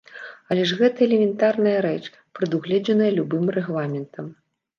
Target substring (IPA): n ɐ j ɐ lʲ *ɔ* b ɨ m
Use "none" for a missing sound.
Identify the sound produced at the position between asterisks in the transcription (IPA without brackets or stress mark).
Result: u